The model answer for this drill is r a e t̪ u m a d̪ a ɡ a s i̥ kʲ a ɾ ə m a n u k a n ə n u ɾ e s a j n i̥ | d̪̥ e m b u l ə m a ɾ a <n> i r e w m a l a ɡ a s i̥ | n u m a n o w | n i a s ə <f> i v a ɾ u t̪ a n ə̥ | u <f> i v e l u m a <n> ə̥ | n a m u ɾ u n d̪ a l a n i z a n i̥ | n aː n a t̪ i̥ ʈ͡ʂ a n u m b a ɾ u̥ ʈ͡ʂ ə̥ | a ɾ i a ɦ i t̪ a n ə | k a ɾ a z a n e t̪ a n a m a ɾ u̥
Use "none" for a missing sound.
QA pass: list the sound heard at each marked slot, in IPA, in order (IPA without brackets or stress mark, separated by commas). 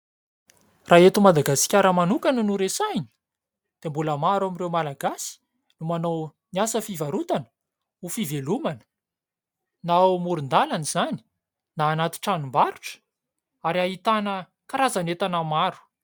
m, f, f, n